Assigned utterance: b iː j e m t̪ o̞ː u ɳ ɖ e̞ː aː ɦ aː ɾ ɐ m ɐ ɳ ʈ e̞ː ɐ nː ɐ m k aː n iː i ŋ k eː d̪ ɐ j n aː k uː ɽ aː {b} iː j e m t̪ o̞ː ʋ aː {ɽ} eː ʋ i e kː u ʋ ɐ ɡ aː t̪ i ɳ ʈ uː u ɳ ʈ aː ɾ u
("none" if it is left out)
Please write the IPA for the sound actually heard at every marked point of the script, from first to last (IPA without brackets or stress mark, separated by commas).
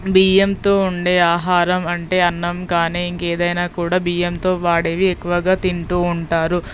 b, ɽ